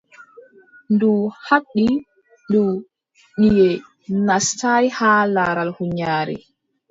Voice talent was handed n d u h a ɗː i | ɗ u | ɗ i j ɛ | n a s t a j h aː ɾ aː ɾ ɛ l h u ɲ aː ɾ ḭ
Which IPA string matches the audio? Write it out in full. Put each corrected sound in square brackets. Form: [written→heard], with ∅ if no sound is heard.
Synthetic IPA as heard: n d u h a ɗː i | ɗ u | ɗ i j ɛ | n a s t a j h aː [ɾ→l] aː ɾ [ɛ→a] l h u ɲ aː ɾ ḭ